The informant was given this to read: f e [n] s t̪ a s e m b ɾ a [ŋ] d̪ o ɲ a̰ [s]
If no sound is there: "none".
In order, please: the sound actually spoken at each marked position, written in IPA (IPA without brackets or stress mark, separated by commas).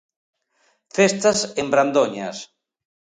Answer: none, n, s